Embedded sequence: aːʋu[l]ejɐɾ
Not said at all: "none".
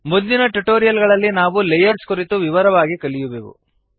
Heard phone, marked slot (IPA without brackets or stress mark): l